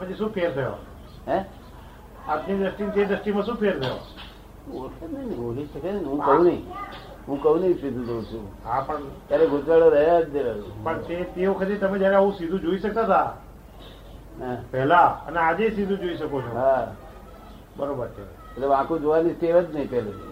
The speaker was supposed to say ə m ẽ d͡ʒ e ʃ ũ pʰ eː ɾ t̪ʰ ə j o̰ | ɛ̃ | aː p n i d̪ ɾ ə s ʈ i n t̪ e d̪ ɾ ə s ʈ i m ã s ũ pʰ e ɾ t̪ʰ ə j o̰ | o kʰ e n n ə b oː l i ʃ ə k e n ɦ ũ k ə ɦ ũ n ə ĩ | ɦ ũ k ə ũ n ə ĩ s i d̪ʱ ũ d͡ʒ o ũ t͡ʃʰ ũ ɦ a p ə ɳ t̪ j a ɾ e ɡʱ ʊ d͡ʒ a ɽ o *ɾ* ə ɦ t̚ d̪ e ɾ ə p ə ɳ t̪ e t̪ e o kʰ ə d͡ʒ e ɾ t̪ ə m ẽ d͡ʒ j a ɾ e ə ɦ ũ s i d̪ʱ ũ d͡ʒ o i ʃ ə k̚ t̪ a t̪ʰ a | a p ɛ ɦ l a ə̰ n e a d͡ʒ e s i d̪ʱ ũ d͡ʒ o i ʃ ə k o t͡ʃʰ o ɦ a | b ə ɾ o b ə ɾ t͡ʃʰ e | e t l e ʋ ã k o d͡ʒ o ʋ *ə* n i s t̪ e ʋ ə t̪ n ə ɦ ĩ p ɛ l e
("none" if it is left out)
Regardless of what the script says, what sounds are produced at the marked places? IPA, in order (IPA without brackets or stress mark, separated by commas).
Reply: ɾ, a